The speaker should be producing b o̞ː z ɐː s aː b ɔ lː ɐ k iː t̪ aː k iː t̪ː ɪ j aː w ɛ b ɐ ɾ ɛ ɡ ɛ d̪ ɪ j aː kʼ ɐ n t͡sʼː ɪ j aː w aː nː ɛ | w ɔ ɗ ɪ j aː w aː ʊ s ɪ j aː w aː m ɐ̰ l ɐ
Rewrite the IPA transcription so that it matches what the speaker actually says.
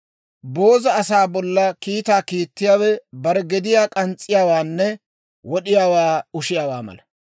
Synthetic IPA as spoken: b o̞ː z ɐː s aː b ɔ lː ɐ k iː t̪ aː k iː t̪ː ɪ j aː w ɛ b ɐ ɾ ɛ ɡ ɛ d̪ ɪ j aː kʼ ɐ n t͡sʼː ɪ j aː w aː nː ɛ | w ɔ ɗ ɪ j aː w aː ʊ ʃ ɪ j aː w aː m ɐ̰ l ɐ

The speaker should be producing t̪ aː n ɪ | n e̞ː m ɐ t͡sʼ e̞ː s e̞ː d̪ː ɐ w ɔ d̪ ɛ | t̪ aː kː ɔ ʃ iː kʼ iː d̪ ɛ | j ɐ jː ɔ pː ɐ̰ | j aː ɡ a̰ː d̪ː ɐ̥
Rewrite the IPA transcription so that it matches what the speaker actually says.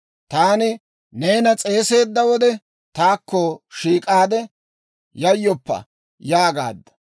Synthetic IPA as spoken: t̪ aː n ɪ | n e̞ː n ɐ t͡sʼ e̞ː s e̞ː d̪ː ɐ w ɔ d̪ ɛ | t̪ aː kː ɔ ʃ iː kʼ aː d̪ ɛ | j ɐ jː ɔ pː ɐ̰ | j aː ɡ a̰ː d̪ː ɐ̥

